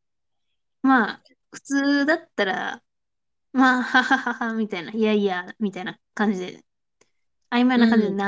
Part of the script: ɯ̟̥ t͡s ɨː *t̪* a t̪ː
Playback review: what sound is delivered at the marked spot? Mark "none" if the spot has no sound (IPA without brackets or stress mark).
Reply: d̪